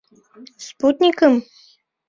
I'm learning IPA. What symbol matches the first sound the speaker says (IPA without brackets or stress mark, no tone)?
s